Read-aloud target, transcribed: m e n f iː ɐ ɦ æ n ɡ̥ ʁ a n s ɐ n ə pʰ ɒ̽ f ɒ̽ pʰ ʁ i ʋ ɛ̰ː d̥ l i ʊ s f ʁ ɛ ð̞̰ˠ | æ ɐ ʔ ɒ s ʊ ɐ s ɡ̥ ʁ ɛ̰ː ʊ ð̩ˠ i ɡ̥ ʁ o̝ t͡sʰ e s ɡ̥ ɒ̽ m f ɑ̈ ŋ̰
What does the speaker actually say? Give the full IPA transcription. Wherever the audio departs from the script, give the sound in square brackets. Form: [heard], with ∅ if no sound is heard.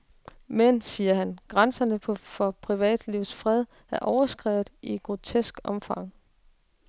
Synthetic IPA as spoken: m e n [s] iː ɐ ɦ æ n ɡ̥ ʁ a n s ɐ n ə pʰ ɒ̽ f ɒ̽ pʰ ʁ i ʋ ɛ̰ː d̥ l i ʊ s f ʁ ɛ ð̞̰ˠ | æ ɐ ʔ ɒ [∅] ʊ ɐ s ɡ̥ ʁ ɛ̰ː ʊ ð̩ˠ i ɡ̥ ʁ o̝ t͡sʰ e s ɡ̥ ɒ̽ m f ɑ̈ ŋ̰